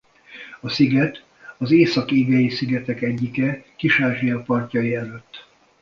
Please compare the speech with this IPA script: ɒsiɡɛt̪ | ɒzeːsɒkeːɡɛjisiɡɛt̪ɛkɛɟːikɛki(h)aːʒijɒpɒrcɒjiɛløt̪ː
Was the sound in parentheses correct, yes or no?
no